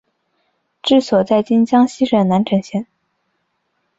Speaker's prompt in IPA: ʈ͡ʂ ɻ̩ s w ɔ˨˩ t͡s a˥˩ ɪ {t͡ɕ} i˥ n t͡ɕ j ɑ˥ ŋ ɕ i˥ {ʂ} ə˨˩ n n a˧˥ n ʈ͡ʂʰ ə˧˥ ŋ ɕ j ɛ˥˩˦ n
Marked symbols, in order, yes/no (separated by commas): yes, yes